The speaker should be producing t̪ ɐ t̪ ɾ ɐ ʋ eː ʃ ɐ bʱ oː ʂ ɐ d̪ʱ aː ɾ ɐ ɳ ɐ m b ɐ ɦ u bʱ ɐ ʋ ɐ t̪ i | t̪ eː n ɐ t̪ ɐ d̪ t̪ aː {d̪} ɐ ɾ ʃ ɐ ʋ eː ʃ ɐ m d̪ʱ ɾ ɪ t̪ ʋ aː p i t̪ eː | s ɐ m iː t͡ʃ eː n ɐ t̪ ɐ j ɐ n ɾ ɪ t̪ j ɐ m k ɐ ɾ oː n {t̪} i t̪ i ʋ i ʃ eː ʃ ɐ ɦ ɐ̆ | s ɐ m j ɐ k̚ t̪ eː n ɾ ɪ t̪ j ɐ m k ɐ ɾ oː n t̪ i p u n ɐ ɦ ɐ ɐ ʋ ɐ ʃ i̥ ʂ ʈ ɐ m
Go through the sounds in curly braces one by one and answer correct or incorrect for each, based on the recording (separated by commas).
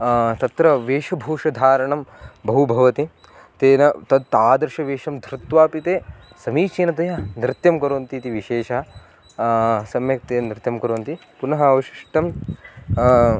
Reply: correct, correct